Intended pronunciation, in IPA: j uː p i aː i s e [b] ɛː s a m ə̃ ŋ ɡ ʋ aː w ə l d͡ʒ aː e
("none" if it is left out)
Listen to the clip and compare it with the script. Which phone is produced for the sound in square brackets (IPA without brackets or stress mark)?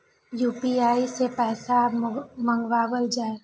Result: p